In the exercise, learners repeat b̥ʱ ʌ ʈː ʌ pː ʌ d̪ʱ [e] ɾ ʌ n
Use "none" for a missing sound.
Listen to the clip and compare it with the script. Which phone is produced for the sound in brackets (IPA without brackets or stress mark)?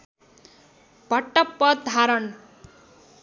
a